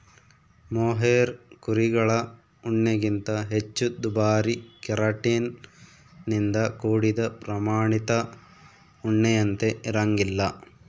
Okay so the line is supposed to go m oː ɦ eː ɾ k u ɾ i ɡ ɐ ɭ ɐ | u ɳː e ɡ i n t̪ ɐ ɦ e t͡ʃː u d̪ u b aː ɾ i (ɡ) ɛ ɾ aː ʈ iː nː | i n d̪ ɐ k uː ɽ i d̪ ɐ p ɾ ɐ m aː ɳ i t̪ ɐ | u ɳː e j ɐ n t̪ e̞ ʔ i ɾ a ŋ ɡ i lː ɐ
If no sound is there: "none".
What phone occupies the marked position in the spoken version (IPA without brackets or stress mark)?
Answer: k